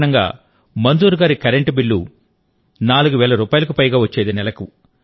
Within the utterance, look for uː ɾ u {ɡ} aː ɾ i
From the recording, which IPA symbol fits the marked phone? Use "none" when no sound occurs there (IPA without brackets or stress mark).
ɡ